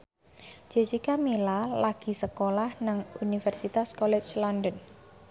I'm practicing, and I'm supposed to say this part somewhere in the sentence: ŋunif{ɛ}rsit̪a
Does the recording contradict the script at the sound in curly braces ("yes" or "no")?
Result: no